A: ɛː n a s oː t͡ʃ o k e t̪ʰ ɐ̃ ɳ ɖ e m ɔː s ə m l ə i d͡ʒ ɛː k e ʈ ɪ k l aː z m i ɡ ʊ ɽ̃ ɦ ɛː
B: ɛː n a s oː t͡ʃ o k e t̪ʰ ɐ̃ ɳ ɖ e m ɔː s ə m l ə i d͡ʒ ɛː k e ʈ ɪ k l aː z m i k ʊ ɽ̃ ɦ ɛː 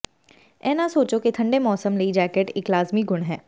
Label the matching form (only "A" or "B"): A